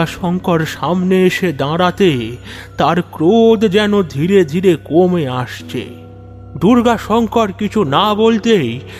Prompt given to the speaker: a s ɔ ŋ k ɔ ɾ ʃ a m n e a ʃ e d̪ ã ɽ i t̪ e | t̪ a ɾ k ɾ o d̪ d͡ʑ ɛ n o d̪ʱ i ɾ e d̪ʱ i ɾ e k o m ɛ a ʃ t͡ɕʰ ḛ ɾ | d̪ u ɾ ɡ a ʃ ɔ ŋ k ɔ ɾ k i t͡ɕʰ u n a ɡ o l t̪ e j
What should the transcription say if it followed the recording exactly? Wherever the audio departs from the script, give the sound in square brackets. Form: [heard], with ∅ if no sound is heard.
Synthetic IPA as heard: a [ʃ] ɔ ŋ k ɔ ɾ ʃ a m n e [e] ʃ e d̪ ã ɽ [a] t̪ e | t̪ a ɾ k ɾ o d̪ d͡ʑ ɛ n o d̪ʱ i ɾ e d̪ʱ i ɾ e k o m [e] a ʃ t͡ɕʰ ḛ [∅] | d̪ u ɾ ɡ a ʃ ɔ ŋ k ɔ ɾ k i t͡ɕʰ u n a [b] o l t̪ e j